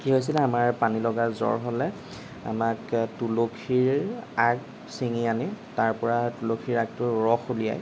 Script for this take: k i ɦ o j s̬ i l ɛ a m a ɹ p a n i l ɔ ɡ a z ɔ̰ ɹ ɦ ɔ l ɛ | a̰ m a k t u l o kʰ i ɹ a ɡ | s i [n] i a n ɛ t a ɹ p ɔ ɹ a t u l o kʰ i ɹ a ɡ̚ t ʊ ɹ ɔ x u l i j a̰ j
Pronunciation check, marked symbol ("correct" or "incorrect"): incorrect